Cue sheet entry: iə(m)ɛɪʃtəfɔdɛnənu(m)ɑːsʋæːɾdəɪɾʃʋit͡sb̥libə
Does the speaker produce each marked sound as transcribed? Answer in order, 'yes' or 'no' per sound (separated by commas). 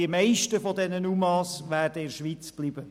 yes, yes